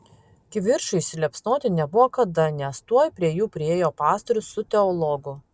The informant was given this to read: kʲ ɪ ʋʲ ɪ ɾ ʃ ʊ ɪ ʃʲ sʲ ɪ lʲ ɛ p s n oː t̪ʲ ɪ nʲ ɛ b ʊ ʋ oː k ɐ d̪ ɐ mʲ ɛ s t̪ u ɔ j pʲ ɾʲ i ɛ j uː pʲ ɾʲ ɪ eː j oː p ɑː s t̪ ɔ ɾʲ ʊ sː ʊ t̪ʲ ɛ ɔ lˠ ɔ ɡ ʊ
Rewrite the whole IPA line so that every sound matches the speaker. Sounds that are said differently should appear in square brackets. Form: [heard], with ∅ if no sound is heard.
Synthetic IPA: kʲ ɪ ʋʲ ɪ ɾ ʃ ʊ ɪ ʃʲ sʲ ɪ lʲ ɛ p s n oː t̪ʲ ɪ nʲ ɛ b ʊ ʋ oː k ɐ d̪ ɐ [nʲ] ɛ s t̪ u ɔ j pʲ ɾʲ i ɛ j uː pʲ ɾʲ ɪ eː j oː p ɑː s t̪ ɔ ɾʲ ʊ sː ʊ t̪ʲ ɛ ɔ lˠ ɔ ɡ ʊ